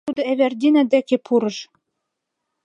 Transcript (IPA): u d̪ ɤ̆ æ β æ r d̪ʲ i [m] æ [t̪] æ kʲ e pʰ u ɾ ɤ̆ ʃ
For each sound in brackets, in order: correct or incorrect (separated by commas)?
incorrect, incorrect